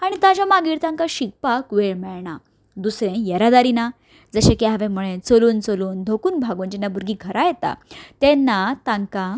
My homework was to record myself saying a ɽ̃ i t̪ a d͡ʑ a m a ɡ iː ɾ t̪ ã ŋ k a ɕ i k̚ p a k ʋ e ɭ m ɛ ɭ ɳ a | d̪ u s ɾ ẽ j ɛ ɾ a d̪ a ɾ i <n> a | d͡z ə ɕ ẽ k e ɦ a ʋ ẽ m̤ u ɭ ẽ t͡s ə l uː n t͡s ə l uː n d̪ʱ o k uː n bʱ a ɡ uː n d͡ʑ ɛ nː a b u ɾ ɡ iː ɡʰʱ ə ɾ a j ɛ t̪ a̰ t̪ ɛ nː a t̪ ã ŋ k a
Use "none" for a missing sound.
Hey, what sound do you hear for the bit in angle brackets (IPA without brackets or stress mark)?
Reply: n